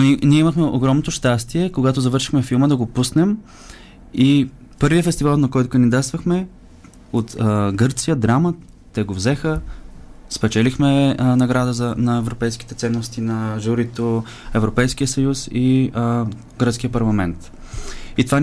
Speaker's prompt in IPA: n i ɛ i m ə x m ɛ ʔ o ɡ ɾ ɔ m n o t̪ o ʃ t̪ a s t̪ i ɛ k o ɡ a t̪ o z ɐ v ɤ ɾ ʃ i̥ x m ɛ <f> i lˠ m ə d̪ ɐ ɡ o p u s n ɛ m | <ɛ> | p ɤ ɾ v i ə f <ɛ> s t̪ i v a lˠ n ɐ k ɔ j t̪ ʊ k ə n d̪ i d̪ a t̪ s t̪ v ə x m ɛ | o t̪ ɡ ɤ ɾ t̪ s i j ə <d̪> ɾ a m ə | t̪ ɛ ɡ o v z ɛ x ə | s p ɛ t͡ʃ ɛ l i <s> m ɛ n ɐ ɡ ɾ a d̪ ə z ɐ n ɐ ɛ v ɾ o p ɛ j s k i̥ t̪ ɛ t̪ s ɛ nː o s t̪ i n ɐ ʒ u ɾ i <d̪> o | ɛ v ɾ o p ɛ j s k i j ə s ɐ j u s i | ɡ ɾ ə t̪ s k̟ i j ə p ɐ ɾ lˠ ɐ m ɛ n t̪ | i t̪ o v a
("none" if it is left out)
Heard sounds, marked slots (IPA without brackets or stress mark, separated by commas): f, i, ɛ, d̪, x, t̪